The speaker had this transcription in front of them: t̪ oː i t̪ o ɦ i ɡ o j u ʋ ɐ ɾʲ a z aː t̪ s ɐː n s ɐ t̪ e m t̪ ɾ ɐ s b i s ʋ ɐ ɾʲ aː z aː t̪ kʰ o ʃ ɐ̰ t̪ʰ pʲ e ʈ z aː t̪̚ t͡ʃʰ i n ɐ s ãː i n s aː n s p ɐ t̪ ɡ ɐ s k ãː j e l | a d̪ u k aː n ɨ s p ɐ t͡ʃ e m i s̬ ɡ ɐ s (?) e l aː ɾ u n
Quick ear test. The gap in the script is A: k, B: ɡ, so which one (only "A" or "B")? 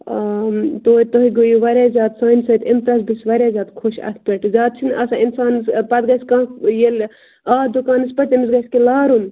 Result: A